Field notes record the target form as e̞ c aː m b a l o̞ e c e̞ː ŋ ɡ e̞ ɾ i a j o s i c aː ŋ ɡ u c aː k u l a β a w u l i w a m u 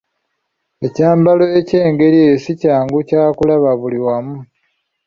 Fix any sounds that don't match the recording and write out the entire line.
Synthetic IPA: e̞ c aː m b a l o̞ e c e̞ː ŋ ɡ e̞ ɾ i e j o s i c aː ŋ ɡ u c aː k u l a β a β u l i w a m u